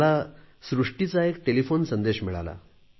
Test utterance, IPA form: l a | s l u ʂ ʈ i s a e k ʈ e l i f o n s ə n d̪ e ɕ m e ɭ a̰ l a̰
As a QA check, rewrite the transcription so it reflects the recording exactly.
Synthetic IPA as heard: l a | s ɾ u ʂ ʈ i t͡s a e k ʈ e l i f o n s ə n d̪ e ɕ m i ɭ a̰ l a̰

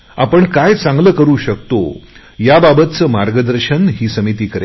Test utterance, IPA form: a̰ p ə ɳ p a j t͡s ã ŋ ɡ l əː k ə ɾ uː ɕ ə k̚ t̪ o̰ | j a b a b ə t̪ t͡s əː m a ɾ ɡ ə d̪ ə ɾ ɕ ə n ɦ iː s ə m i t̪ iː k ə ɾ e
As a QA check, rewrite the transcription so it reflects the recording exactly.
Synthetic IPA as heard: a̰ p ə ɳ k a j t͡s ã ŋ ɡ l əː k ə ɾ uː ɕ ə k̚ t̪ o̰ | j a b a b ə t̪ t͡s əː m a ɾ ɡ ə d̪ ə ɾ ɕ ə n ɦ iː s ə m i t̪ iː k ə ɾ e

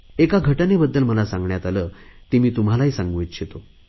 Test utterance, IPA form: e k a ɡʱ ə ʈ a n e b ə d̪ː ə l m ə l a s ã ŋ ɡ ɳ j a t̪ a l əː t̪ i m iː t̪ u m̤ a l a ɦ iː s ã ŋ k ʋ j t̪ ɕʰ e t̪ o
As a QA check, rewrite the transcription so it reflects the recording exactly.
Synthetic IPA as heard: e k a ɡʱ ə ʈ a n e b ə d̪ː ə l m ə l a s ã ŋ ɡ ɳ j a t̪ a l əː t̪ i m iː t̪ u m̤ a l a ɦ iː s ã ŋ ɡ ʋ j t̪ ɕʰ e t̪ o

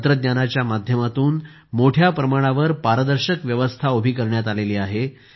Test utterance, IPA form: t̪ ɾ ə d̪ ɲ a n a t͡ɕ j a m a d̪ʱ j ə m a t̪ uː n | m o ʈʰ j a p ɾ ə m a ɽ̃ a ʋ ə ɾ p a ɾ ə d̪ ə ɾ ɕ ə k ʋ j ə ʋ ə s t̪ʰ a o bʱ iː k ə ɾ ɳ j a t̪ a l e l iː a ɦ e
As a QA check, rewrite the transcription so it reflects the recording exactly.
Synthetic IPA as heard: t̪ ɾ ə d̪ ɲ a n a t͡ɕ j a m a d̪ʱ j ə m a t̪ uː n | m o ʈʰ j a p ɾ ə m a ɽ̃ a ʋ ə ɾ p a ɾ ə d̪ ə ɾ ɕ ə k ʋ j ə ʋ ə s t̪ʰ a o bʱ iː k ə ɾ ɳ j a t̪ a l e l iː a ɦ e

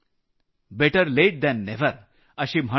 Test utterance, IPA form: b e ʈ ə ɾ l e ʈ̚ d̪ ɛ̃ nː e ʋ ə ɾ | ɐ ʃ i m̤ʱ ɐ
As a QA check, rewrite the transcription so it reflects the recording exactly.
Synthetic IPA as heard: b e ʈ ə ɾ l e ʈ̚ d̪ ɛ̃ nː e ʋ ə ɾ | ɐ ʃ i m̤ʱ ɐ

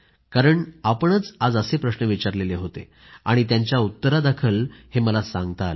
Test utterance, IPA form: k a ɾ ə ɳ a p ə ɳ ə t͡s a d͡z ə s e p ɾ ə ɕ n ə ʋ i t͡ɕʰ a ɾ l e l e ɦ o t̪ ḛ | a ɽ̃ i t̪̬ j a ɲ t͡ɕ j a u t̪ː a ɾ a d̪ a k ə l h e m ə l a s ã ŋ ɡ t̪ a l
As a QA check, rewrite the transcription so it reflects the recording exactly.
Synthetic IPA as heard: k a ɾ ə ɳ a p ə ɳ ə t͡s a d͡z ə s e p ɾ ə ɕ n ə ʋ i t͡ɕ a ɾ l e l e ɦ o t̪ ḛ | a ɽ̃ i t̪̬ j a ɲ t͡ɕ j a u t̪ː ə ɾ a d̪ a kʰ ə l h e m ə l a s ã ŋ ɡ t̪ a l

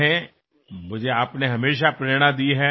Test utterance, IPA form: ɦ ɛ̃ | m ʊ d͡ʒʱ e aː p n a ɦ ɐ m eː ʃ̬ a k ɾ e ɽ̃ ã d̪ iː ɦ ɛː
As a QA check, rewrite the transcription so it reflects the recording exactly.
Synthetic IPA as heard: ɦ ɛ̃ | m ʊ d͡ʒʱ e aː p n e ɦ ɐ m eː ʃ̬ a p ɾ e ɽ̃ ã d̪ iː ɦ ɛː

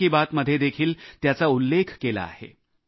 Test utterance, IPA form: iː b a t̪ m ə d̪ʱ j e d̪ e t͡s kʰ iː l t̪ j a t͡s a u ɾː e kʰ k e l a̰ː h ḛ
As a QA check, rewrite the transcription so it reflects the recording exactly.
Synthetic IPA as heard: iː b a t̪ m ə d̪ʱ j e d̪ e kʰ iː l t̪ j a t͡s a u lː e kʰ k e l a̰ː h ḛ

